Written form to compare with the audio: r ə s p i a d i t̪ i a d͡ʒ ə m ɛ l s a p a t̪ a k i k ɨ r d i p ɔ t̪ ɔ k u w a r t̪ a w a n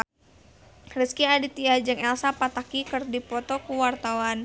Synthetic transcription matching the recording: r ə s k i a d i t̪ i a d͡ʒ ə ŋ ɛ l s a p a t̪ a k i k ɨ r d i p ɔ t̪ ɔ k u w a r t̪ a w a n